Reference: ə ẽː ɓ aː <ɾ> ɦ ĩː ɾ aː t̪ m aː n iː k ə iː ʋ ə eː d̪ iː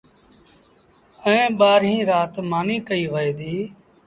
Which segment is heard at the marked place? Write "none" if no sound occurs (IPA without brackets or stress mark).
ɾ